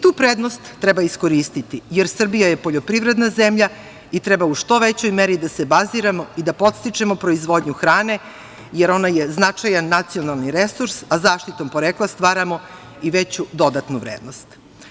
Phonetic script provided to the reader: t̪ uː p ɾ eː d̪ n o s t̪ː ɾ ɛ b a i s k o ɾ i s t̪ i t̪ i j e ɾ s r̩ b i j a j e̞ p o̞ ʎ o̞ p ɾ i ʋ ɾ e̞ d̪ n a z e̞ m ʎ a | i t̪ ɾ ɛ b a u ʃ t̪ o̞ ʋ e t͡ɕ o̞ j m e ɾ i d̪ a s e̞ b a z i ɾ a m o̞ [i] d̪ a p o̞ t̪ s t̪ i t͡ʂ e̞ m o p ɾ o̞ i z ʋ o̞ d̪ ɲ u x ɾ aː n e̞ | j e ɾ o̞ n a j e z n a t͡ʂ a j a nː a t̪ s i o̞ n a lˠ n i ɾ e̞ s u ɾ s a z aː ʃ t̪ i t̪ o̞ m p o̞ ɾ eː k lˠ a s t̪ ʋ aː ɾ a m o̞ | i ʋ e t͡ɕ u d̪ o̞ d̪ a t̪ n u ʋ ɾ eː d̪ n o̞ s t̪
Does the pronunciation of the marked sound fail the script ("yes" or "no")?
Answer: no